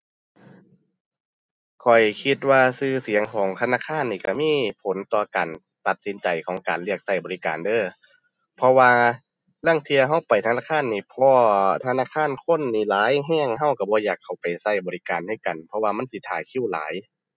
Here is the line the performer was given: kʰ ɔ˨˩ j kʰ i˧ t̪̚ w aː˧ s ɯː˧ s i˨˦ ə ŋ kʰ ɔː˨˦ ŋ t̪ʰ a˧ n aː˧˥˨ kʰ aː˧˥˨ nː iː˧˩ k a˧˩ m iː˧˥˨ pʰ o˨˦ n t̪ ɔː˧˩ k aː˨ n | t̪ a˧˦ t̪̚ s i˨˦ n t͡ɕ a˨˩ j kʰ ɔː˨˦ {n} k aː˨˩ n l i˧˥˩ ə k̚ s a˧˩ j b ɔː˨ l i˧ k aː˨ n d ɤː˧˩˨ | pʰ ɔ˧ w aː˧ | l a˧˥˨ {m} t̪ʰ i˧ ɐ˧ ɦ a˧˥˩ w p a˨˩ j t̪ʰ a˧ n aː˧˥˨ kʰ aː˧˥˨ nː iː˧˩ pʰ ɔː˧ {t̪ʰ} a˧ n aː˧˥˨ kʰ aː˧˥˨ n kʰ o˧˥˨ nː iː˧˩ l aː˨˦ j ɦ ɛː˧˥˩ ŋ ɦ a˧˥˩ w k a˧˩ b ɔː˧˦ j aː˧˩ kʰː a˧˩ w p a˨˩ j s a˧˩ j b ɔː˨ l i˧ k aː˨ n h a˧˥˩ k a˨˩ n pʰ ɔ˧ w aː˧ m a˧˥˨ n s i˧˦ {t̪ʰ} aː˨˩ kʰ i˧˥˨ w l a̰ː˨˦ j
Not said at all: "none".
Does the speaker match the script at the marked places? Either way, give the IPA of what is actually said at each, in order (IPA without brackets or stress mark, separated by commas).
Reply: ŋ, ŋ, t̪ʰ, t̪ʰ